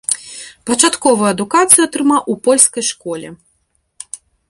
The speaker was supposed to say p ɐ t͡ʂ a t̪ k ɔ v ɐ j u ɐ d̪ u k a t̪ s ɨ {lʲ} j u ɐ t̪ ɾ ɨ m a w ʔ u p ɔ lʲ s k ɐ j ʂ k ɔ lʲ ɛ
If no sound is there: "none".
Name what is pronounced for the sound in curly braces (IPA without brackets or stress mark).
none